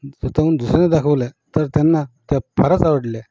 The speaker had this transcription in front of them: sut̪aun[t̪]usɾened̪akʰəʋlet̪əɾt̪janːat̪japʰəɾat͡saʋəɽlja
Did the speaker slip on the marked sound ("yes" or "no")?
yes